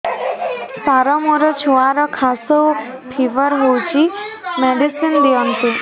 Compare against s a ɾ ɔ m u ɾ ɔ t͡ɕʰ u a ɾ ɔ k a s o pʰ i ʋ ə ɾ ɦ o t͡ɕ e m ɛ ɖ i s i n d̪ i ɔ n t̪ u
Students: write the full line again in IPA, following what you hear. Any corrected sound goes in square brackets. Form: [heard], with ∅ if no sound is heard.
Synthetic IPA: s a ɾ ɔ m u ɾ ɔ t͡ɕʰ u a ɾ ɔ [kʰ] a s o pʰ i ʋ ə ɾ ɦ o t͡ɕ [i] m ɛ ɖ i s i n d̪ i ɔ n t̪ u